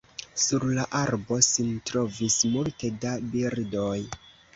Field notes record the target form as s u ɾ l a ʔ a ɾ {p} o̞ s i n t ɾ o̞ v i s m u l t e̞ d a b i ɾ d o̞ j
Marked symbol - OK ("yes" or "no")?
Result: no